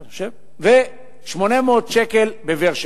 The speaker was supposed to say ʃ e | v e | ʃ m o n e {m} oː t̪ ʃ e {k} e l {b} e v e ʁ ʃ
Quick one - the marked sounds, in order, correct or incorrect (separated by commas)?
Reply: correct, correct, correct